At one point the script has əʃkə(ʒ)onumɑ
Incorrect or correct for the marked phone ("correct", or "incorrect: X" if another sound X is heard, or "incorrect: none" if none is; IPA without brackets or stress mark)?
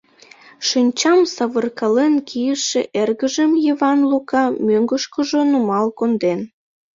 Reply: correct